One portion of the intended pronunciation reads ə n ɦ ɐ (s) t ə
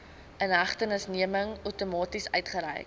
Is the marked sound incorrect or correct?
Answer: incorrect